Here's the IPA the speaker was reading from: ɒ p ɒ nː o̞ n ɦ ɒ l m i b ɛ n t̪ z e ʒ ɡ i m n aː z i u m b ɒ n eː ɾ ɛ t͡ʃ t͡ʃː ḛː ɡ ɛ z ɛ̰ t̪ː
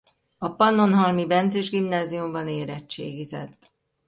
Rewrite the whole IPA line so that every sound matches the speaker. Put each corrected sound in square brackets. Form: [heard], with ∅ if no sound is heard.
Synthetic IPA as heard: ɒ p ɒ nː o̞ n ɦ ɒ l m i b ɛ n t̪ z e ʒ ɡ i m n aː z i u m b ɒ n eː ɾ ɛ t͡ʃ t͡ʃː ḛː ɡ [i] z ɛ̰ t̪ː